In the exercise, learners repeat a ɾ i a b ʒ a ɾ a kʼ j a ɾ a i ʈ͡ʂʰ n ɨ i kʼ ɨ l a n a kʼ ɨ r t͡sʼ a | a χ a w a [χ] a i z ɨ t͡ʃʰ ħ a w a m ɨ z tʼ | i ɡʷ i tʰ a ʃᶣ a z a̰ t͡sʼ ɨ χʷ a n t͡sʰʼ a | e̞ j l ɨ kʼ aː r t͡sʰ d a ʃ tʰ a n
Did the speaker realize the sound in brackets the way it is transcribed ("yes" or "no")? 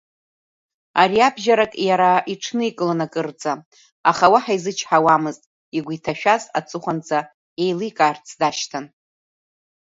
no